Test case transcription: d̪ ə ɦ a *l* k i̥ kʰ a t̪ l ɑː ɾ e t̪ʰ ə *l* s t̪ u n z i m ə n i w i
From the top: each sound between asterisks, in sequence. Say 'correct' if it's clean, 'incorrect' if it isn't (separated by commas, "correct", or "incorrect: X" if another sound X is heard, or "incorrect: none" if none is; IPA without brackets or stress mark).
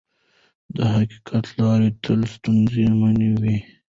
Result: incorrect: none, correct